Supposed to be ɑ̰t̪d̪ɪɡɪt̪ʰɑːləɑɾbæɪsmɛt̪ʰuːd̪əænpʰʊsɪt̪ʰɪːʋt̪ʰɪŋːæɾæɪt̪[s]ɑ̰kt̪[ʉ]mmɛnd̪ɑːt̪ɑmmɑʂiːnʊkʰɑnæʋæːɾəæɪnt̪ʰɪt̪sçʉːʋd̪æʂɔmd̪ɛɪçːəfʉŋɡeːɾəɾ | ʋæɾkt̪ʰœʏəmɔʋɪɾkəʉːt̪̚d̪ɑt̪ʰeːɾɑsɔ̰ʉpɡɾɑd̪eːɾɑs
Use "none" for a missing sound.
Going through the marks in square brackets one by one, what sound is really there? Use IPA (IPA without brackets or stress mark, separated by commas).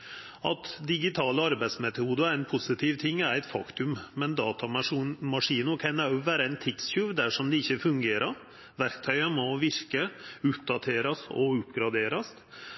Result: f, ʉ